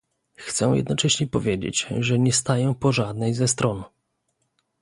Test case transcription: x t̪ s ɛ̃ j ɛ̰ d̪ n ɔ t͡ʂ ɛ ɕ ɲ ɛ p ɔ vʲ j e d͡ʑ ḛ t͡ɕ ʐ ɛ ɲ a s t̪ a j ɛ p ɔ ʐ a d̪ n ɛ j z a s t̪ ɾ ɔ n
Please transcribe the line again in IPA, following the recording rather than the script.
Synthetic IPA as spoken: x t̪ s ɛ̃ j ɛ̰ d̪ n ɔ t͡ʂ ɛ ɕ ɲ ɛ p ɔ vʲ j e d͡ʑ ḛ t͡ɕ ʐ ɛ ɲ ɛ s t̪ a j ɛ p ɔ ʐ a d̪ n ɛ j z ɛ s t̪ ɾ ɔ n